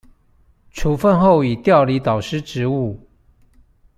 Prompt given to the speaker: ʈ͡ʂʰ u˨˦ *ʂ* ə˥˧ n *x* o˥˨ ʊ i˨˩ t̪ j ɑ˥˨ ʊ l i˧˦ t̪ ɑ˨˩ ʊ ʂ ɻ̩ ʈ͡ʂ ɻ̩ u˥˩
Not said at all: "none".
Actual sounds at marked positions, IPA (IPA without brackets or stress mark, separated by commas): f, x